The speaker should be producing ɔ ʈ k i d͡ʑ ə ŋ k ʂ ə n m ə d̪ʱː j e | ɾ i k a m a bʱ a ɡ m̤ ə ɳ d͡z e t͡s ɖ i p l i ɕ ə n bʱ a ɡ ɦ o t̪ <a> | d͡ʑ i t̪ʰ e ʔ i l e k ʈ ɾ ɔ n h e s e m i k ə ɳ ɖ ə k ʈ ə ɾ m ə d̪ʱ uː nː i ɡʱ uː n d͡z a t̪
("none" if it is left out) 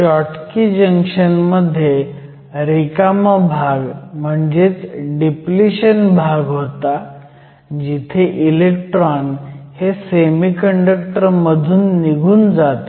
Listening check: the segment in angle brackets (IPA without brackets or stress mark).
a